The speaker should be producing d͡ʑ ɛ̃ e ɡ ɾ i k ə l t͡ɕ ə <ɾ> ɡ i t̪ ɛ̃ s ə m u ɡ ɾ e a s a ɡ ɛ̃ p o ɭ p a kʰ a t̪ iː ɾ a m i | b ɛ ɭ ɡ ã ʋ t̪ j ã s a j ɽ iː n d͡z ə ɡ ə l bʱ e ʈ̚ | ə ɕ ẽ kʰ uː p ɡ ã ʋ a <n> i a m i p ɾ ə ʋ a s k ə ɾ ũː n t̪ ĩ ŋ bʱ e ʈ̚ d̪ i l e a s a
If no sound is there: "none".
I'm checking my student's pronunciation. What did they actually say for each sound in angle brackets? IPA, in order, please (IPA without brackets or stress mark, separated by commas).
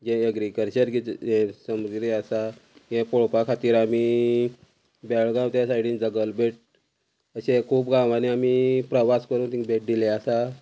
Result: ɾ, n